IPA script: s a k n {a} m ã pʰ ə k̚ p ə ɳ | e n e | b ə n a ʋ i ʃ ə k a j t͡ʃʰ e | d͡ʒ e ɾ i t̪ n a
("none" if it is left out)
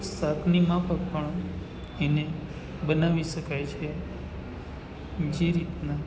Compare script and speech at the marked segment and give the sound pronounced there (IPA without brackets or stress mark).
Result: i